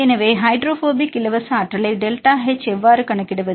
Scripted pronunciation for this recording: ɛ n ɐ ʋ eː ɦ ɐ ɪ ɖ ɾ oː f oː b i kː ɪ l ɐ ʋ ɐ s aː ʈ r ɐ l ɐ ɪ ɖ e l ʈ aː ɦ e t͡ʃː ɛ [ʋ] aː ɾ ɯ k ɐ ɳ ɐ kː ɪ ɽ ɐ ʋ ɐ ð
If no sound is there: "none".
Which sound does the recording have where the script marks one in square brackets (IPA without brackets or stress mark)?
ʋː